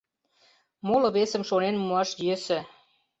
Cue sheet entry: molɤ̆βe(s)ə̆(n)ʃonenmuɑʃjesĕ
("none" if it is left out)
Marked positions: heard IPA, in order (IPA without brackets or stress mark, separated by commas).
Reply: s, m